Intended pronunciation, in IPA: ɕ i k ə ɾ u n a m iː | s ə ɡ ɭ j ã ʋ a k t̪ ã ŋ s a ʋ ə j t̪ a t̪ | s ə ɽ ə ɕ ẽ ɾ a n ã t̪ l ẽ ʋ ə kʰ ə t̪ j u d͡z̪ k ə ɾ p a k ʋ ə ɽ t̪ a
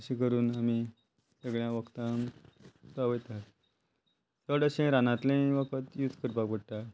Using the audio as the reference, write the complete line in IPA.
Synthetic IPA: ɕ i k ə ɾ uː n a m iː | s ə ɡ ɭ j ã ʋ ə k t̪ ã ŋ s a ʋ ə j t̪ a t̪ | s ə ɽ ə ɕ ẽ ɾ a n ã t̪ l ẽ ʋ ə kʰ ə t̪ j u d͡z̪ k ə ɾ p a k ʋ ə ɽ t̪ a

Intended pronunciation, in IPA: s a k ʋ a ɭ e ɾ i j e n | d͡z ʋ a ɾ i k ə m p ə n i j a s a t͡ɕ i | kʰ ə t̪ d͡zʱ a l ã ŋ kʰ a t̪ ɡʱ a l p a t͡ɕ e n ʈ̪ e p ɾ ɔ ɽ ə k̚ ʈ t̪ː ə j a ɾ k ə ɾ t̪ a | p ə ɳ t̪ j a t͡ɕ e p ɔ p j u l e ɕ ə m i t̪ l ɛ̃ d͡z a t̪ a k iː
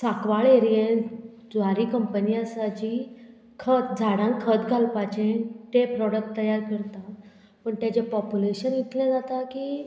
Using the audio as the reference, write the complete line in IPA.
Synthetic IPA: s a k ʋ a ɭ e ɾ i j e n | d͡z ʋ a ɾ i k ə m p ə n i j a s a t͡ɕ i | kʰ ə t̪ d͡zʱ a ɽ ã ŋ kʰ ə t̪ ɡʱ a l p a t͡ɕ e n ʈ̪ e p ɾ ɔ ɽ ə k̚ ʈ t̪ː ə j a ɾ k ə ɾ t̪ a | p ə ɳ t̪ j a t͡ɕ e p ɔ p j u l e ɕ ə n i t̪ l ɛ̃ d͡z a t̪ a k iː

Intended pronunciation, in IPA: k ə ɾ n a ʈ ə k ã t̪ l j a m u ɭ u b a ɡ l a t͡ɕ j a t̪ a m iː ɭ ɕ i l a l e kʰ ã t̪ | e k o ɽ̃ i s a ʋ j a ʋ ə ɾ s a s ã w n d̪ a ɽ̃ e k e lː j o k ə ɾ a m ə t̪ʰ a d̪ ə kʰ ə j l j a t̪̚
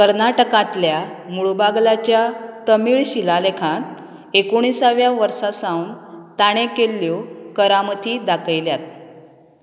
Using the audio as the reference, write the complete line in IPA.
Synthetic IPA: k ə ɾ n a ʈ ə k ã t̪ l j a m u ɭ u b a ɡ l a t͡ɕ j a t̪ ə m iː ɭ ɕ i l a l e kʰ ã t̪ | e k o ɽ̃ i s a ʋ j a ʋ ə ɾ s a s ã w n t̪ a ɽ̃ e k e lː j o k ə ɾ a m ə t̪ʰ i d̪ a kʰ ə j l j a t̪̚

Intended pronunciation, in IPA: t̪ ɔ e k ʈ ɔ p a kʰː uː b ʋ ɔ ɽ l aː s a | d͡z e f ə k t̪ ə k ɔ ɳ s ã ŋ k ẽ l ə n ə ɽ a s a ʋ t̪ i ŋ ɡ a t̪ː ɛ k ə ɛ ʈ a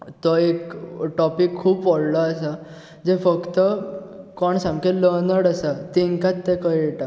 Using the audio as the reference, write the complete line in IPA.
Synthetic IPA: t̪ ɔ e k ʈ ɔ p i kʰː uː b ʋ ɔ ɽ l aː s a | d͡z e f ə k t̪ ə k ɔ ɳ s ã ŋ k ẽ l ə n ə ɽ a s a t̪ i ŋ k a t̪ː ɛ k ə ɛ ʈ a

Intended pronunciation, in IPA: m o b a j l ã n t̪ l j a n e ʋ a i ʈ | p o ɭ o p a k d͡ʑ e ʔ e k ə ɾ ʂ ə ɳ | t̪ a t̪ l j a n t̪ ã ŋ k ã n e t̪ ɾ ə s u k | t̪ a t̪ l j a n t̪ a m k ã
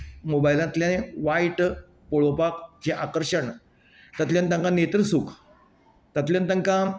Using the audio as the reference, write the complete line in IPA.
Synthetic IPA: m o b a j l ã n t̪ l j a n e ʋ a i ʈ | p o ɭ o p a k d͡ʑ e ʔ a k ə ɾ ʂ ə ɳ | t̪ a t̪ l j a n t̪ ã ŋ k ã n e t̪ ɾ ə s u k | t̪ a t̪ l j a n t̪ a ŋ k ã

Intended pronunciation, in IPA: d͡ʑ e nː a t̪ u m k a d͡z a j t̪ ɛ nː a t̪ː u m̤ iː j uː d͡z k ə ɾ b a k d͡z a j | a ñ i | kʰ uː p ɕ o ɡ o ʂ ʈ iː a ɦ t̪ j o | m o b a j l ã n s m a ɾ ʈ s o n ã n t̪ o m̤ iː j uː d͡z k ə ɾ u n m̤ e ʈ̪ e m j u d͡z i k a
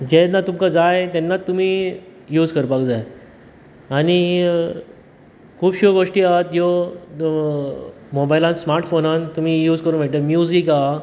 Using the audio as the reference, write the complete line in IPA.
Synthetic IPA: d͡ʑ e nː a t̪ u m k a d͡z a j t̪ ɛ nː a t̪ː u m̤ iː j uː d͡z k ə ɾ p a k d͡z a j | a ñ i | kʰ uː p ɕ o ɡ o ʂ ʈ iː a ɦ t̪ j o | m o b a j l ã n s m a ɾ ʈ f o n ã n t̪ u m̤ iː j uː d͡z k ə ɾ u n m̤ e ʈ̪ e m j u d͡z i k a

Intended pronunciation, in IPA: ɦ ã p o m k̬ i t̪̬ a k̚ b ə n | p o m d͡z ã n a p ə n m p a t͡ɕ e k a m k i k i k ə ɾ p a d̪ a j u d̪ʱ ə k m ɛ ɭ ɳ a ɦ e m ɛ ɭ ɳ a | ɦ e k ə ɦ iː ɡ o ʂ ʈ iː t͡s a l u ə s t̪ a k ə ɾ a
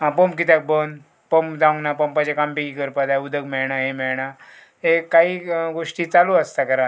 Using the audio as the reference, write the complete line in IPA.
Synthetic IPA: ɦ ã p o m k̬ i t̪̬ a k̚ b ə n | p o m d͡z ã n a p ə m p a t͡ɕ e k a m p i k i k ə ɾ p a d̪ a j u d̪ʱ ə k m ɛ ɭ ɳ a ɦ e m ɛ ɭ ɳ a | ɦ e k a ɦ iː ɡ o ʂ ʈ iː t͡s a l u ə s t̪ a k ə ɾ a

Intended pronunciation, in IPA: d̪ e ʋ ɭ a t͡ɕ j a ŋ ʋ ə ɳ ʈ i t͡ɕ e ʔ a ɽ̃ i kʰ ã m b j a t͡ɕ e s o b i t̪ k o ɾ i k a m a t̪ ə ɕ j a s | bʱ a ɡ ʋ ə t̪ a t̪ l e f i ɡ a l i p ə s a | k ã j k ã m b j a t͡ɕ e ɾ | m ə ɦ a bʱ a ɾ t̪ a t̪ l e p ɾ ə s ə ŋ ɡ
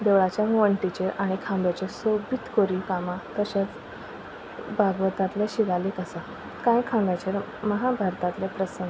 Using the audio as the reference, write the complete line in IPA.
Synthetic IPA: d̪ e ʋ ɭ a t͡ɕ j a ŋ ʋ ə ɳ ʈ i t͡ɕ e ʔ a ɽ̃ i kʰ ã m b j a t͡ɕ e s o b i t̪ k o ɾ i k a m a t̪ ə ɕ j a t͡s | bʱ a ɡ ʋ ə t̪ a t̪ l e ɕ i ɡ a l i k ə s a | k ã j kʰ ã m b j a t͡ɕ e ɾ | m ə ɦ a bʱ a ɾ t̪ a t̪ l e p ɾ ə s ə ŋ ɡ

